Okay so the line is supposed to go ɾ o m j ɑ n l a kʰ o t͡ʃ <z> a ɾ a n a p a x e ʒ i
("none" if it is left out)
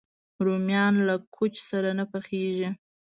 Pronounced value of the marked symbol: s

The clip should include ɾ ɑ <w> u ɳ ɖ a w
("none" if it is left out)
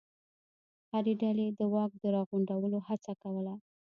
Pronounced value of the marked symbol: ɣ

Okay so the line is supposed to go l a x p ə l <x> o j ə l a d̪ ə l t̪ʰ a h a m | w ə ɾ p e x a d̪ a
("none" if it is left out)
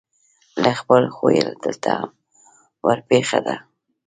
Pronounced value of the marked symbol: x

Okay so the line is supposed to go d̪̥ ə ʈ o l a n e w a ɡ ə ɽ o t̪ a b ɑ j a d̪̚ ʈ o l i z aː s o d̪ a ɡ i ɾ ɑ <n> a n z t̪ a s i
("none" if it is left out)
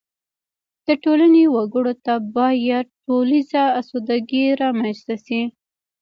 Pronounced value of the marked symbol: m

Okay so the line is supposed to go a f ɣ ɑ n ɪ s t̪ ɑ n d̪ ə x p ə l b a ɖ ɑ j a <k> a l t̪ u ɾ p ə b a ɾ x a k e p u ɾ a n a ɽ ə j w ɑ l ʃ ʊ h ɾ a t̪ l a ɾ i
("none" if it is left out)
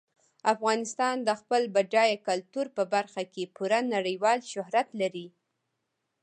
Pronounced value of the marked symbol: k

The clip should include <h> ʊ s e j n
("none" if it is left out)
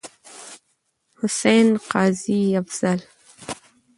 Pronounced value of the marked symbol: h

